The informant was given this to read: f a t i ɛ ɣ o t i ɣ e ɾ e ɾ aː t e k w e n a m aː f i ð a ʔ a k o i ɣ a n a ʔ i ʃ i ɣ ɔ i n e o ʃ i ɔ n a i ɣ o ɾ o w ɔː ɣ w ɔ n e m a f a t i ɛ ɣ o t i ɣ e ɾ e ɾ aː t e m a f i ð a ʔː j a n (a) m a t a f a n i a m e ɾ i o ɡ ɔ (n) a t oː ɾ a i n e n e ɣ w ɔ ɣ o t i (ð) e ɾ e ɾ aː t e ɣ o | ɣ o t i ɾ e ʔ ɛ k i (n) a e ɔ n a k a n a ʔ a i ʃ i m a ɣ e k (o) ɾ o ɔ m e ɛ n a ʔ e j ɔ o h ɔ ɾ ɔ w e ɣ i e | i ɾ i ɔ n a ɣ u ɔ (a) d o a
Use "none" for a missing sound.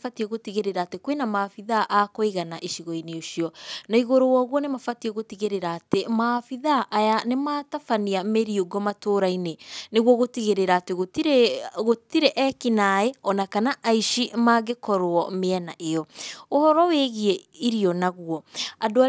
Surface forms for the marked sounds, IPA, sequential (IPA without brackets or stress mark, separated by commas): e, m, ɣ, n, ɔ, a